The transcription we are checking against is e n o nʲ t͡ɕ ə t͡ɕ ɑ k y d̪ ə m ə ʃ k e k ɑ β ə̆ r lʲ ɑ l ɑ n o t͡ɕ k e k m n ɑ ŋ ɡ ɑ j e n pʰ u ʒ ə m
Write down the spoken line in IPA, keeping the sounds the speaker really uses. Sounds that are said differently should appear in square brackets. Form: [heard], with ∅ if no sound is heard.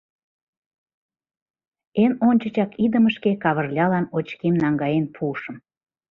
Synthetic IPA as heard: e n o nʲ t͡ɕ ə t͡ɕ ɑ k [i] d̪ ə m ə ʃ k e k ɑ β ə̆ r lʲ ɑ l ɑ n o t͡ɕ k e [∅] m n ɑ ŋ ɡ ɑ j e n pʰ u [ʃ] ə m